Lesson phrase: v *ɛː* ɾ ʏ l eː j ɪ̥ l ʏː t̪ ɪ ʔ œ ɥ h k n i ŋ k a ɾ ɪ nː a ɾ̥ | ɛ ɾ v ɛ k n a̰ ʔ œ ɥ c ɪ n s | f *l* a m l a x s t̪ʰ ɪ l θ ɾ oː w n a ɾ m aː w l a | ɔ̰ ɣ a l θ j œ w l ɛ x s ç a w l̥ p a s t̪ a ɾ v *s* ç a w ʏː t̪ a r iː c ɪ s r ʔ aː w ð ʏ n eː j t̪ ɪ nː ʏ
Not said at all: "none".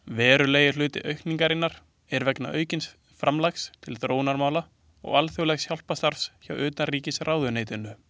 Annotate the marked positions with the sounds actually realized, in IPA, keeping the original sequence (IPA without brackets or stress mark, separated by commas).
ɛː, ɾ, s